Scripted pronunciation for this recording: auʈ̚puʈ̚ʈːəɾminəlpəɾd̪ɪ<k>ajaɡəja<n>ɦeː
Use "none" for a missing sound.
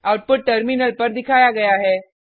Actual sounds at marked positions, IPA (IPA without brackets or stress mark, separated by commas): kʰ, none